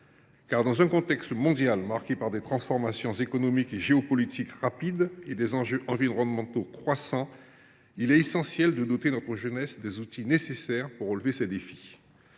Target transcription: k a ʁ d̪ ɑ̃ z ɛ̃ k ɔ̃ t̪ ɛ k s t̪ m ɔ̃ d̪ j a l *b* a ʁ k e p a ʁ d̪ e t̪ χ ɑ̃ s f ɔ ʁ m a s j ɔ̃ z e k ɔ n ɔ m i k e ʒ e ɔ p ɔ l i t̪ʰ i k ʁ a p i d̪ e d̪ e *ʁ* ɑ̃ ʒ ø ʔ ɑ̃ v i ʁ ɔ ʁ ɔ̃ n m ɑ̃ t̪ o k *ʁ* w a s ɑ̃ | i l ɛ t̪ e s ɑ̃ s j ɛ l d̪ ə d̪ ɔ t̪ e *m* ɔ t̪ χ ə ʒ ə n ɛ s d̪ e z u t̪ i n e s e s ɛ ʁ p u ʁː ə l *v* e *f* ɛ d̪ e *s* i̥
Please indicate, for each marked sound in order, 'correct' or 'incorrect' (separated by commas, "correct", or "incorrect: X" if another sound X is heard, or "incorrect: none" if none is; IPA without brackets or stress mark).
incorrect: m, incorrect: z, incorrect: χ, incorrect: n, correct, incorrect: s, incorrect: f